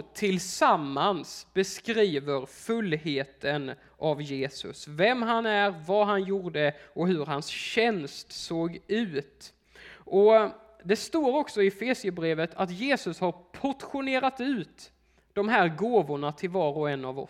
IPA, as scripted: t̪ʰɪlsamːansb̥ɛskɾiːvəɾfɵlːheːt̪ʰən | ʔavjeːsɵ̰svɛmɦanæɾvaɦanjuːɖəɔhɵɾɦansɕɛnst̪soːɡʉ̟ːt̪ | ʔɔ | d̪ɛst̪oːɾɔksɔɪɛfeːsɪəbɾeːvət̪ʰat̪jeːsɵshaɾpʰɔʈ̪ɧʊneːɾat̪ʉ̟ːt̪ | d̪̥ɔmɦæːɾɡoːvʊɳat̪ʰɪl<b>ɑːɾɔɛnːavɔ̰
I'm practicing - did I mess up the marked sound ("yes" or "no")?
yes